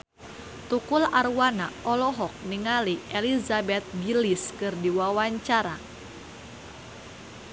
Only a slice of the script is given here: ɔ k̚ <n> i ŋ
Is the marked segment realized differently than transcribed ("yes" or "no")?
no